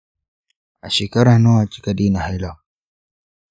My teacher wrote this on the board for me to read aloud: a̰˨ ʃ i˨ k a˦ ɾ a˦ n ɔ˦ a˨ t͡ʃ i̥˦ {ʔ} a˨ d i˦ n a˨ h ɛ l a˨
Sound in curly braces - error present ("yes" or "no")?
yes